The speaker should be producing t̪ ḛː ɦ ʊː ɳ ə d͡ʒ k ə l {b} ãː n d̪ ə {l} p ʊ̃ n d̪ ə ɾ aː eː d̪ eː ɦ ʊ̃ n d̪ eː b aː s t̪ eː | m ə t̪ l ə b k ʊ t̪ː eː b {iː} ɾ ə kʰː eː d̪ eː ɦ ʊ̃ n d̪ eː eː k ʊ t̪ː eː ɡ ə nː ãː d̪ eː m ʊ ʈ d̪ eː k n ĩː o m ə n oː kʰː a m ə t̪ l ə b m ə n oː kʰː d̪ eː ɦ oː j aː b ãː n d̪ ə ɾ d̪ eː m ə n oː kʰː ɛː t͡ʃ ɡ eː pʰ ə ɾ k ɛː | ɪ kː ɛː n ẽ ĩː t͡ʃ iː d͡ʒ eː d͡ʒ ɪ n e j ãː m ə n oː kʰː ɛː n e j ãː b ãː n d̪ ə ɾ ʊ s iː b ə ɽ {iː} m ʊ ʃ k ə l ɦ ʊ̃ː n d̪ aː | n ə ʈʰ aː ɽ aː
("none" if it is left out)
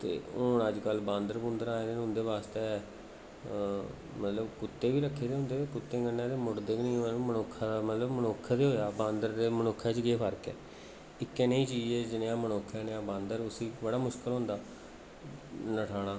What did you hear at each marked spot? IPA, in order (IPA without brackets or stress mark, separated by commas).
b, ɾ, iː, aː